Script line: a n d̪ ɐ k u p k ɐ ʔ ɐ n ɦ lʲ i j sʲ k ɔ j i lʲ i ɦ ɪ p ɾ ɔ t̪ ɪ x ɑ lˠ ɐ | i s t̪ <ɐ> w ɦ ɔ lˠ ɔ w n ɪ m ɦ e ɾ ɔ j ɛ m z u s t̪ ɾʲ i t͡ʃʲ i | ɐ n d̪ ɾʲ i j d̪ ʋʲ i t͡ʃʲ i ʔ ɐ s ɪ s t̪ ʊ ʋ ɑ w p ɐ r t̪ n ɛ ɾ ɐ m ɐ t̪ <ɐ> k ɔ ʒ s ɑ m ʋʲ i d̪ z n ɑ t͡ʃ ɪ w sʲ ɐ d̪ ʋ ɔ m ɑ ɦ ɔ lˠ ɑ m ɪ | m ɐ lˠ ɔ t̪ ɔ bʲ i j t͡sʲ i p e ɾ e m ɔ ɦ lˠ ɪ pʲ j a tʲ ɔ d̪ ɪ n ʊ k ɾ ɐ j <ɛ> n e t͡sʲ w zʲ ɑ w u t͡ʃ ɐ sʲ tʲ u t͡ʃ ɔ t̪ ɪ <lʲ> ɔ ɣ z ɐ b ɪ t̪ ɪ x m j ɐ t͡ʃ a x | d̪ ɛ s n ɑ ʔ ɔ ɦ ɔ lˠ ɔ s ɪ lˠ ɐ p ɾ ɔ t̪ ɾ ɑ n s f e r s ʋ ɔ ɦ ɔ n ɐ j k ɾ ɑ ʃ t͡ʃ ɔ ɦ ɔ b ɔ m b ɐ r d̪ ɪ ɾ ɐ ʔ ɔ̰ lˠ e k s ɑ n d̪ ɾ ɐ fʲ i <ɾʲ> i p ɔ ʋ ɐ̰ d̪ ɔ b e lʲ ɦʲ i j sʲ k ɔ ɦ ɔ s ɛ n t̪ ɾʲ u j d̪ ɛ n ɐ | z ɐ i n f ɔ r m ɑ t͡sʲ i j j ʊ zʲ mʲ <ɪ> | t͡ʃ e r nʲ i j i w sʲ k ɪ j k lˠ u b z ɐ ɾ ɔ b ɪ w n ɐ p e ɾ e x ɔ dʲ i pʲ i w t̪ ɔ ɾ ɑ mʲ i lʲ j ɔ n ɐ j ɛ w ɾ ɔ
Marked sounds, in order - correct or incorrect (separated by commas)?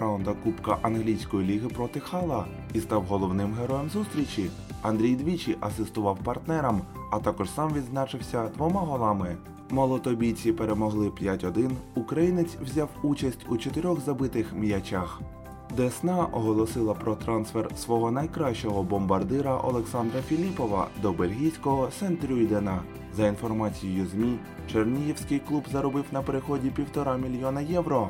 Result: incorrect, incorrect, incorrect, incorrect, incorrect, incorrect